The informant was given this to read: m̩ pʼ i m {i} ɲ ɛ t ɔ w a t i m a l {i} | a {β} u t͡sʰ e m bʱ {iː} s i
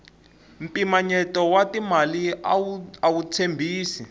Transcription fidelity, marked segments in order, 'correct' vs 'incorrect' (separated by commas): incorrect, correct, incorrect, correct